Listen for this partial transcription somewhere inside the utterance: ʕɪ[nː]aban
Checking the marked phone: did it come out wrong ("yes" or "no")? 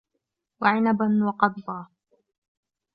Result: yes